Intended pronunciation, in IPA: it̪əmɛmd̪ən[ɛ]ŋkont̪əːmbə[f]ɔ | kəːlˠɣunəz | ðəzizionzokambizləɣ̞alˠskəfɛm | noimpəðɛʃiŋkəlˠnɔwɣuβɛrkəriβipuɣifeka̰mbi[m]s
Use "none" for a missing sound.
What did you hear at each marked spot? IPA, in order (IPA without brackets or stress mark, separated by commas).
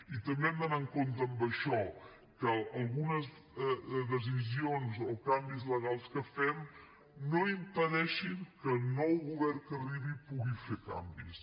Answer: a, ʃ, none